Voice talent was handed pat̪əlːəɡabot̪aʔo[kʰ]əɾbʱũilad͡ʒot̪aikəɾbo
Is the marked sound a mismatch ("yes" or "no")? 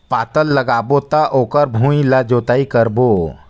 yes